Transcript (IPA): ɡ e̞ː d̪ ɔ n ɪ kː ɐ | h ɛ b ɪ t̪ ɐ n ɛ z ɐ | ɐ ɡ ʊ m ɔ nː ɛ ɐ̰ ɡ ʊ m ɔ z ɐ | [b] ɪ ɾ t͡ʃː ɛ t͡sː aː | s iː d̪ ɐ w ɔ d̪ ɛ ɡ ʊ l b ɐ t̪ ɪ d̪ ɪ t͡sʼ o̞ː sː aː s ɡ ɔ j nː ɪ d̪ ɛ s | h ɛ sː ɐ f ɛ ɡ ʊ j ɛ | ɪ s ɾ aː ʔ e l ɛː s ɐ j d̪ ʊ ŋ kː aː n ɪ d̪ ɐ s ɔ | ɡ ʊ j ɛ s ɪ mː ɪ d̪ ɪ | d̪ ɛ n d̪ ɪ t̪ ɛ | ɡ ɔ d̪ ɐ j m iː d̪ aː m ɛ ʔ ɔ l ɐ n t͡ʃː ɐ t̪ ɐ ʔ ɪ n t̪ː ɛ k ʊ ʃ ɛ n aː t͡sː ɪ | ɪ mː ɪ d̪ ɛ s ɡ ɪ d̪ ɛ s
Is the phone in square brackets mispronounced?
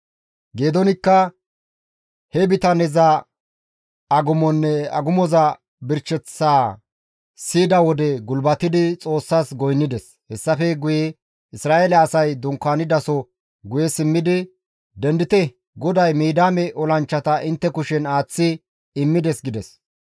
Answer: no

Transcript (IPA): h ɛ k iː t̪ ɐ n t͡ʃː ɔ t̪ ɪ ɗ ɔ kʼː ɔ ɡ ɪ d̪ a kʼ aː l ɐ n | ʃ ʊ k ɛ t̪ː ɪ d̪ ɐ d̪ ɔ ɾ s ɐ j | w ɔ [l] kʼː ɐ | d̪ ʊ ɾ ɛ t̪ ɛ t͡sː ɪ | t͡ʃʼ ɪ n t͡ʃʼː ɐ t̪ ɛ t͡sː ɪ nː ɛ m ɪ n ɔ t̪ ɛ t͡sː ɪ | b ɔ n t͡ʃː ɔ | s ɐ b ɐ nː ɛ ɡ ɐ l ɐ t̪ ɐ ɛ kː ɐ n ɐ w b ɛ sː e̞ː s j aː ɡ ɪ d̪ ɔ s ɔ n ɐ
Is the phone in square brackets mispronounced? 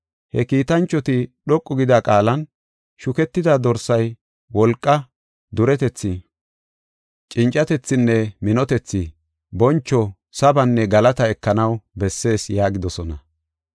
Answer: no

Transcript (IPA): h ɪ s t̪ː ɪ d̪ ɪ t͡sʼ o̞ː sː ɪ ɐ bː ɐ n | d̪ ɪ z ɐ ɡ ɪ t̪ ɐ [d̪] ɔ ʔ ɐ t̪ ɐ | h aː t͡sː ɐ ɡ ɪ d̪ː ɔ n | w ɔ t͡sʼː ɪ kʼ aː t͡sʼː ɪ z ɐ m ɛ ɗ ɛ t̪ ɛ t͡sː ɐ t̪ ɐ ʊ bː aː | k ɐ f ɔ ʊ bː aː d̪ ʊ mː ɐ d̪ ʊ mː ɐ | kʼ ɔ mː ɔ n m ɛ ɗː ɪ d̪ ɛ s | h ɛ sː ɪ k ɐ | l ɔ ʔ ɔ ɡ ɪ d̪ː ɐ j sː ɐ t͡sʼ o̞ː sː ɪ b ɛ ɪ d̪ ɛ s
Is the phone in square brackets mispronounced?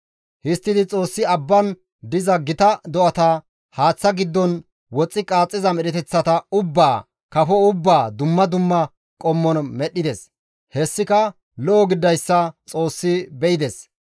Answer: no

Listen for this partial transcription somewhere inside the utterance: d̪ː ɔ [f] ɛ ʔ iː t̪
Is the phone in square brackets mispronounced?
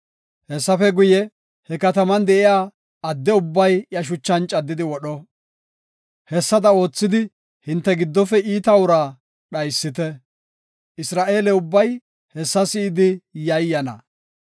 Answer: no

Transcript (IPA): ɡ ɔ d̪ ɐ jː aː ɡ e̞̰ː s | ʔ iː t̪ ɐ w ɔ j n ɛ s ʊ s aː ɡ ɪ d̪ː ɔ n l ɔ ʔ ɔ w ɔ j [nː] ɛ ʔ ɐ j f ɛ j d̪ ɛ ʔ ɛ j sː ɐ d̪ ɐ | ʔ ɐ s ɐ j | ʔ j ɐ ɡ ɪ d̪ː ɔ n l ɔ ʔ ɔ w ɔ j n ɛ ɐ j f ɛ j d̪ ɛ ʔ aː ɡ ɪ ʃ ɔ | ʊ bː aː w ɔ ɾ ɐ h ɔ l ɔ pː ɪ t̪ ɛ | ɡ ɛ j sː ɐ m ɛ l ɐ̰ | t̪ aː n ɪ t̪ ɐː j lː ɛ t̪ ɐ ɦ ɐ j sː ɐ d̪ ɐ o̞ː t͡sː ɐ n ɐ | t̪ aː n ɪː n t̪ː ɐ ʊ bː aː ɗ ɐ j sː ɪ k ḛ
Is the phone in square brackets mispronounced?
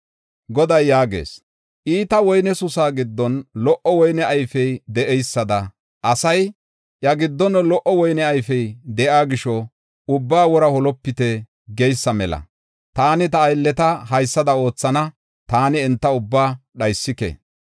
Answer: yes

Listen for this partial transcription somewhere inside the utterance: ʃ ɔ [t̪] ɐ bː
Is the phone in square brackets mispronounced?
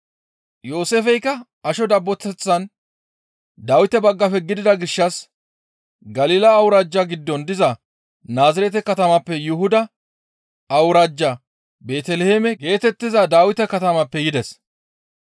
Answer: yes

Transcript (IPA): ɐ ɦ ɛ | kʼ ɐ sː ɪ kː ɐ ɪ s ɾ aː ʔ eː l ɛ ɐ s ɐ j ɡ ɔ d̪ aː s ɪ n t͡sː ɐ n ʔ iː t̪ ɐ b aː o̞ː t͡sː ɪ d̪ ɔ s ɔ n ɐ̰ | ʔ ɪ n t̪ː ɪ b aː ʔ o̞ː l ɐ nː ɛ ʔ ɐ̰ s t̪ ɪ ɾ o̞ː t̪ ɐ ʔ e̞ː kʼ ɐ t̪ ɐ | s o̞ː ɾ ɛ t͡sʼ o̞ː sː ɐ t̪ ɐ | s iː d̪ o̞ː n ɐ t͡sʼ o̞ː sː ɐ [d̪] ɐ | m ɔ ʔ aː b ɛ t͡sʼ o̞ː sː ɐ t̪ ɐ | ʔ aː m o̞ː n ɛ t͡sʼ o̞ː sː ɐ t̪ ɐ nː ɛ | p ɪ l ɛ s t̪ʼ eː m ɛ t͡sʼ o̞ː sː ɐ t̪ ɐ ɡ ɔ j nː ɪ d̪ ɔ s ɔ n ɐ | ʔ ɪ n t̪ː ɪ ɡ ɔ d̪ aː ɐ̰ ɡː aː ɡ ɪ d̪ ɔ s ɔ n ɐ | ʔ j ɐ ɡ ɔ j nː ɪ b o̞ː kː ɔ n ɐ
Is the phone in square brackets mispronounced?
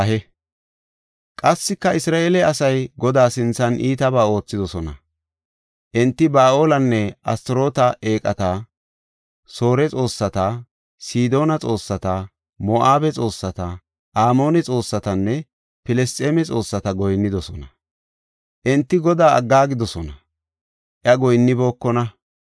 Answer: yes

